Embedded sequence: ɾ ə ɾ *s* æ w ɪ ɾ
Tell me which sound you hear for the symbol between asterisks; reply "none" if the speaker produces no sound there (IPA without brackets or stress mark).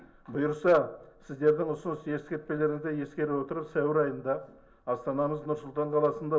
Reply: s